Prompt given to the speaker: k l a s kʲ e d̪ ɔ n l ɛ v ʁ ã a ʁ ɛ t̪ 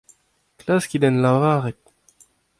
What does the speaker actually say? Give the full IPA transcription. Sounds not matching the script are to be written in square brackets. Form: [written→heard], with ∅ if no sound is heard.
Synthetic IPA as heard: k l a s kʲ [e→i] d̪ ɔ n l [ɛ→a] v ʁ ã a ʁ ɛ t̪